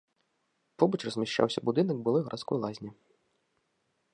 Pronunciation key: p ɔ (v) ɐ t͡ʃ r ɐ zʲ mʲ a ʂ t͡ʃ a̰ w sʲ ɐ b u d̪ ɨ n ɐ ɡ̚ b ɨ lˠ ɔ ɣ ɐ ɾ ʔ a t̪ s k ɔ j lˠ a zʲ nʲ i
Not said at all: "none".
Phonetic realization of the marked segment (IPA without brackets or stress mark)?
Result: b